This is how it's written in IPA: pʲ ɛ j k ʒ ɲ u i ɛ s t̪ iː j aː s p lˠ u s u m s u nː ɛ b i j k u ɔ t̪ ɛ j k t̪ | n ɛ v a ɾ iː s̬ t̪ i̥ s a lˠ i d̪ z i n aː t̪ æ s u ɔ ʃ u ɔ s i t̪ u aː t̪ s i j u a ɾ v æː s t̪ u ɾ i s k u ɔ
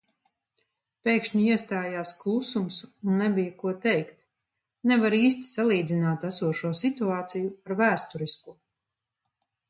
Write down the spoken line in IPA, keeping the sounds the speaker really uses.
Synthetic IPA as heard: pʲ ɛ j k ʃ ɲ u i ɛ s t̪ aː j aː s k lˠ u s u m s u nː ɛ b i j k u ɔ t̪ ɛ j k t̪ | n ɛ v a ɾ iː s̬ t̪ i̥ s a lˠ iː d̪ z i n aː t̪ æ s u ɔ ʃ u ɔ s i t̪ u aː t̪ s i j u a ɾ v æː s t̪ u ɾ i s k u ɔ